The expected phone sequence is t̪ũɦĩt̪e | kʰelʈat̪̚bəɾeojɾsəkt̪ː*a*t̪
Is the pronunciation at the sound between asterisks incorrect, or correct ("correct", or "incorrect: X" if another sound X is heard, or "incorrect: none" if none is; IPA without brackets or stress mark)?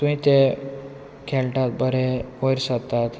correct